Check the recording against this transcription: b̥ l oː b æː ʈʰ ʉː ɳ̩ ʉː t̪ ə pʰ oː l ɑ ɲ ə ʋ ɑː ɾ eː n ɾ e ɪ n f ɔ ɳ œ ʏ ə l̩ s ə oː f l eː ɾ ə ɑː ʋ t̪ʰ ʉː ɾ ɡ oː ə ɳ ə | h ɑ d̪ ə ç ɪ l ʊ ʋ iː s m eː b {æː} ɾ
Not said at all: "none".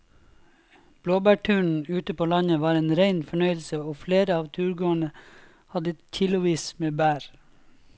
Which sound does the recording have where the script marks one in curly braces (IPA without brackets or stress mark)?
æː